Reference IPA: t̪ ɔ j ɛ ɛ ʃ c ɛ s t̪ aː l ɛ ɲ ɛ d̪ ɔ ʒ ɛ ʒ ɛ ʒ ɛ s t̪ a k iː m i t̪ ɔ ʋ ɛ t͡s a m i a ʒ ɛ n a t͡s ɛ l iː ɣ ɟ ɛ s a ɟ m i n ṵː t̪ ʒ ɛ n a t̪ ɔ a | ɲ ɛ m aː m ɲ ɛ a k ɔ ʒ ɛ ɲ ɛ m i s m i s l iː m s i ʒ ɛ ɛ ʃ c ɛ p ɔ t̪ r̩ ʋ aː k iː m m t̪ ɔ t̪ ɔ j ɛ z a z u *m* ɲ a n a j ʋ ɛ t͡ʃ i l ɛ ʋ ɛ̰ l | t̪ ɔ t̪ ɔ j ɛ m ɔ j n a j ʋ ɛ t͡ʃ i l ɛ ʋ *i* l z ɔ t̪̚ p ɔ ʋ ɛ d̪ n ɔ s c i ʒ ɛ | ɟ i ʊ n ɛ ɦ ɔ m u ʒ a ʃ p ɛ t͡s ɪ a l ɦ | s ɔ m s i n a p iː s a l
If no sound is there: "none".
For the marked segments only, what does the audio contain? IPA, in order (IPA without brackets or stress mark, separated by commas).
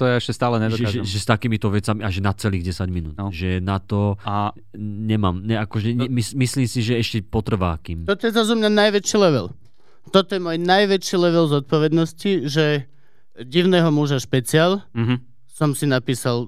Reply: m, ɛ